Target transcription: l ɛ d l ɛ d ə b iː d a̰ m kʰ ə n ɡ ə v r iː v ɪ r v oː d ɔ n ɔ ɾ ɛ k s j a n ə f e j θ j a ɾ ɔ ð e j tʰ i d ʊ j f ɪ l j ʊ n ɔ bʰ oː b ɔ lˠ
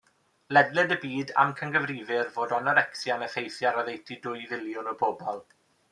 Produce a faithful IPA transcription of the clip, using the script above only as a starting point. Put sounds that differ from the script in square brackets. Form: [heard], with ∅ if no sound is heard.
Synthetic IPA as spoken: l ɛ d l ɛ d ə b iː d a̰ m kʰ ə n ɡ ə v r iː v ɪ r v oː d ɔ n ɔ ɾ ɛ k s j a n ə f e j θ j a ɾ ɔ ð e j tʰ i d ʊ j [v] ɪ l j ʊ n ɔ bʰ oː b ɔ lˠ